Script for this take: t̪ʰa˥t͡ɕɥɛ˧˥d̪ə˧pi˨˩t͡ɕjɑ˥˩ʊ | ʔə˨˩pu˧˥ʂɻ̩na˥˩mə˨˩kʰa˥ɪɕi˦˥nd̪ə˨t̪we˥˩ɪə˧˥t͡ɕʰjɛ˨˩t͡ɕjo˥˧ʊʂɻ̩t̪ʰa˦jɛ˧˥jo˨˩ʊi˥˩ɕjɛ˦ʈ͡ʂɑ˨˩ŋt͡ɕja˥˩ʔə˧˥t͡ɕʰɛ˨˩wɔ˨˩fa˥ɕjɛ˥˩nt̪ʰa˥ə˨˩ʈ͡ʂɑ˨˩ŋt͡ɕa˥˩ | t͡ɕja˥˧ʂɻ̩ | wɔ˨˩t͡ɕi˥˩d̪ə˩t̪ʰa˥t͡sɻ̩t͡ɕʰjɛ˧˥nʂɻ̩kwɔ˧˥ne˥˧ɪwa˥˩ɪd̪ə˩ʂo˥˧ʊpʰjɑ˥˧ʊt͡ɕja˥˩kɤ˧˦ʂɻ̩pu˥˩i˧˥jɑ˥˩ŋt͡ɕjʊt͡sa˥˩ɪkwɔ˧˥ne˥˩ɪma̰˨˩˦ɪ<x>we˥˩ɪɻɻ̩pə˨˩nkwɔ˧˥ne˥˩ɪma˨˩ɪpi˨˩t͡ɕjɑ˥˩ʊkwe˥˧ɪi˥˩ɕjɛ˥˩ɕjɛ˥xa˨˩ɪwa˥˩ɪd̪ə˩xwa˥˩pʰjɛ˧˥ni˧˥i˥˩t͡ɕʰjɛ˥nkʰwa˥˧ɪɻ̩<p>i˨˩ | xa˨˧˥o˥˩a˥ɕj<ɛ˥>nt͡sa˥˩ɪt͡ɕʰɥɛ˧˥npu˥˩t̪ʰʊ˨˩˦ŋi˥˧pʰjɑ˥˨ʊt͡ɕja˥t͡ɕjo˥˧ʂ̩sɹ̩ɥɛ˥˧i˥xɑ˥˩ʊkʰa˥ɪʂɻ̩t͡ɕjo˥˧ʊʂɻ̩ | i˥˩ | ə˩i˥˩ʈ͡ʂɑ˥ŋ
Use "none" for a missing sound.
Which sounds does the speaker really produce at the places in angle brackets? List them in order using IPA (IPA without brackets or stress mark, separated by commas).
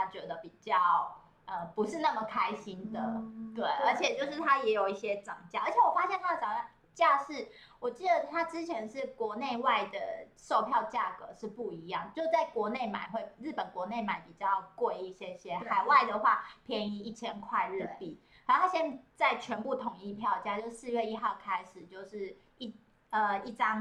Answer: x, p, ɛ˥